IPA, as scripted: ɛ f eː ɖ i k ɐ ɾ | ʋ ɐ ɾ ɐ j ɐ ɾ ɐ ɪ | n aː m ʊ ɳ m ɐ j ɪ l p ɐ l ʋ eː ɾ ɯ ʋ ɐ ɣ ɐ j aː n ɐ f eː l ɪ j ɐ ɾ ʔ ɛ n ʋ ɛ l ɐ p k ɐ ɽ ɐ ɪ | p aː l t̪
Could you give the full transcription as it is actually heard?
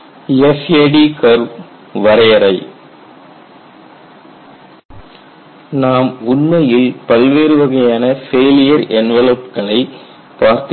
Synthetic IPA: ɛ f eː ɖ i k ɐ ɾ | ʋ ɐ ɾ ɐ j ɐ ɾ ɐ ɪ | n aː m ʊ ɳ m ɐ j ɪ l p ɐ l ʋ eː ɾ ɯ ʋ ɐ ɣ ɐ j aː n ɐ f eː l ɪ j ɐ ɾ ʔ ɛ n ʋ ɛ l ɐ p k ɐ ɭ ɐ ɪ | p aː ɾ t̪